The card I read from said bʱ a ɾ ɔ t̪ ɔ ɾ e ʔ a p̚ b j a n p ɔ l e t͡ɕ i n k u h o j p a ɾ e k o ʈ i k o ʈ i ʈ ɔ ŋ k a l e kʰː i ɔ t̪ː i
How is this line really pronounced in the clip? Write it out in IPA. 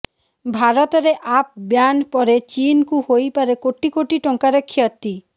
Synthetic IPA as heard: bʱ a ɾ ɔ t̪ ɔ ɾ e ʔ a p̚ b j a n p ɔ ɾ e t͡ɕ i n k u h o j p a ɾ e k o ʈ i k o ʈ i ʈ ɔ ŋ k a ɾ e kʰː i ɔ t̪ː i